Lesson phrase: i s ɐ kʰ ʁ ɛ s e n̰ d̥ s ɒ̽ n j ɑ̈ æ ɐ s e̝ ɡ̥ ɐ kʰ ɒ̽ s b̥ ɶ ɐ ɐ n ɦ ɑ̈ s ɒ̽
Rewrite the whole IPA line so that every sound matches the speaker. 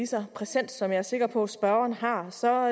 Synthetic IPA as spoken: i s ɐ pʰ ʁ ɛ s e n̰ d̥ s ɒ̽ m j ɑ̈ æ ɐ s e̝ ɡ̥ ɐ pʰ ɒ̽ s b̥ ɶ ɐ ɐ n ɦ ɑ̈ s ɒ̽